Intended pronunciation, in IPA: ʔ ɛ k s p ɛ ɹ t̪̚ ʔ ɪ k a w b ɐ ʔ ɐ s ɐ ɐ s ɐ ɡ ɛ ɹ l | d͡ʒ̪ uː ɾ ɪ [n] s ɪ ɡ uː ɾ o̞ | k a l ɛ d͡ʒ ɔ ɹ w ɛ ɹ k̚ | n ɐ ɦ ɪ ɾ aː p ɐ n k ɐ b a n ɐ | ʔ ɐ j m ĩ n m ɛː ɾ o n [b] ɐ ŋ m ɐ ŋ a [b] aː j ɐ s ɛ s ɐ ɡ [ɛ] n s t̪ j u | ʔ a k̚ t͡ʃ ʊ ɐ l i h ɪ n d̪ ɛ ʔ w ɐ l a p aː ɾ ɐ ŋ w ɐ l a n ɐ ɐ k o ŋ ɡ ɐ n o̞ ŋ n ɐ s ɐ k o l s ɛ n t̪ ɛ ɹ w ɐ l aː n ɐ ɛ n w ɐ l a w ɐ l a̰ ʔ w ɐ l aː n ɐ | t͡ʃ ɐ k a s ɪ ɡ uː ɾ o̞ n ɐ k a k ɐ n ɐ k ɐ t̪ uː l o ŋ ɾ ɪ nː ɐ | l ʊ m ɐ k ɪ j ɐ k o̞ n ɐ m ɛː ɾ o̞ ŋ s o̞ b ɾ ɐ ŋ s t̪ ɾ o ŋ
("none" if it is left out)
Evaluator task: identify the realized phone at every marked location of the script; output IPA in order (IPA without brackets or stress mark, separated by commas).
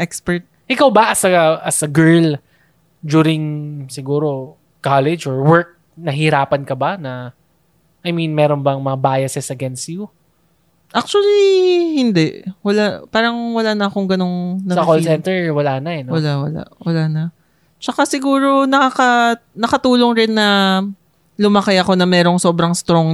ŋ, b, b, ɛ